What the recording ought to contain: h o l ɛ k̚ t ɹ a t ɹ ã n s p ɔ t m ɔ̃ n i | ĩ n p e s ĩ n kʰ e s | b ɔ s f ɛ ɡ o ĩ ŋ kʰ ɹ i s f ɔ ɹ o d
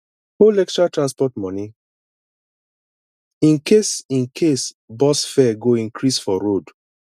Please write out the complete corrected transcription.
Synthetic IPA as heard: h o l ɛ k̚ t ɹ a t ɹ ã n s p ɔ t m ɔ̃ n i | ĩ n k e s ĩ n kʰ e s | b ɔ s f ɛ ɡ o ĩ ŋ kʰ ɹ i s f ɔ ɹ o d